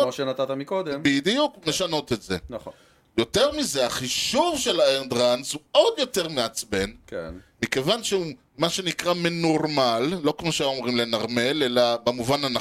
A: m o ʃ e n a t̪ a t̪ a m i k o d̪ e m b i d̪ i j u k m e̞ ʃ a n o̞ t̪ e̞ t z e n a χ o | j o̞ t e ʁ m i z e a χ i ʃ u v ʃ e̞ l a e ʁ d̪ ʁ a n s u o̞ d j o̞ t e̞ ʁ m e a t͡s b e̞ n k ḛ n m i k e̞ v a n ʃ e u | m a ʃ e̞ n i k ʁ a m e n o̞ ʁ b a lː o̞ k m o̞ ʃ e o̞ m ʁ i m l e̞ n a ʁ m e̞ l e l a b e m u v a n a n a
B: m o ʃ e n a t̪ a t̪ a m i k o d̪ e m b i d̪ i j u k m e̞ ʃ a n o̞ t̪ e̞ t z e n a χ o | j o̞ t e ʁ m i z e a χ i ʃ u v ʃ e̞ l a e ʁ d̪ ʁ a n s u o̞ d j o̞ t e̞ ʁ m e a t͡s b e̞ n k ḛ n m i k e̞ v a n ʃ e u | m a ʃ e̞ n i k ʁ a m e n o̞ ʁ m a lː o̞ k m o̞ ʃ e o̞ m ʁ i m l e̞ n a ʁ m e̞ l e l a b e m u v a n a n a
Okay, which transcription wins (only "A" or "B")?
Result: B